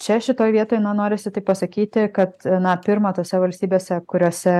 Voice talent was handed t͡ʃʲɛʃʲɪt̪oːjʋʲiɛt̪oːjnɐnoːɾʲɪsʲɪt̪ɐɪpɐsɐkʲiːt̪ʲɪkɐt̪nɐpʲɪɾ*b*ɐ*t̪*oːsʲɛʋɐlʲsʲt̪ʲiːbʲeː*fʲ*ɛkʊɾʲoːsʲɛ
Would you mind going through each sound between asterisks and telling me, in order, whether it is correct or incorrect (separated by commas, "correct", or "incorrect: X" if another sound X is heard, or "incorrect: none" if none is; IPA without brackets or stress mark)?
incorrect: m, correct, incorrect: sʲ